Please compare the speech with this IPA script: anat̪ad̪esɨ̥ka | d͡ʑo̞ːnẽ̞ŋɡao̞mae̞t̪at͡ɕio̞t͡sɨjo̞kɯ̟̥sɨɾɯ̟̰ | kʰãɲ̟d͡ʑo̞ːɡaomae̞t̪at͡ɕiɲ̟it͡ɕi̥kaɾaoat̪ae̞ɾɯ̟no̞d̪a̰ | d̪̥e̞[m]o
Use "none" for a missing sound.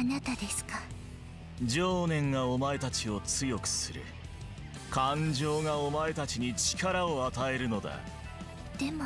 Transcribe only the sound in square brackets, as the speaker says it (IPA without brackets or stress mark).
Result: m